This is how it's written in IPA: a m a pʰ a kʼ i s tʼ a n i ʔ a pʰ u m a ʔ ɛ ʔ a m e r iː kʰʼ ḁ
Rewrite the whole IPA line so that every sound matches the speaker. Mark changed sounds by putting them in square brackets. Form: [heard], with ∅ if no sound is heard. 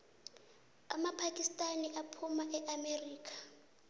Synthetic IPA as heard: a m a pʰ a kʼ i s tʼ a n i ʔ a pʰ u m a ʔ ɛ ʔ a m e r iː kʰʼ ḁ